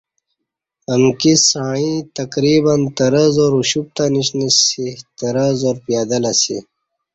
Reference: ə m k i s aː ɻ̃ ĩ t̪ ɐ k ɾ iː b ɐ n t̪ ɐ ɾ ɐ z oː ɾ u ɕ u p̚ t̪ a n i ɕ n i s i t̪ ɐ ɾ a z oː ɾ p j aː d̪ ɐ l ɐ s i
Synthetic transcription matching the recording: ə m k i s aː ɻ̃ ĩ t̪ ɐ k ɾ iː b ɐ n t̪ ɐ ɾ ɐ z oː ɾ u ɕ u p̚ t̪ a n i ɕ n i s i t̪ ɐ ɾ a z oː ɾ p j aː d̪ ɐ l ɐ s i